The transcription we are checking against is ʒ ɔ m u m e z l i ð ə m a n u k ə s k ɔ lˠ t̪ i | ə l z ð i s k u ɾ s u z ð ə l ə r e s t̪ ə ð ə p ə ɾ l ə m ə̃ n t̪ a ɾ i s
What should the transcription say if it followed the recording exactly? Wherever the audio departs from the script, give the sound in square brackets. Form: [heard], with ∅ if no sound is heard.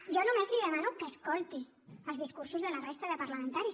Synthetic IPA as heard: ʒ ɔ [n] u m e z l i ð ə m a n u k ə s k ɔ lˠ t̪ i | ə l z ð i s k u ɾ s u z ð ə l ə r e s t̪ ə ð ə p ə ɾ l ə m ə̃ n t̪ a ɾ i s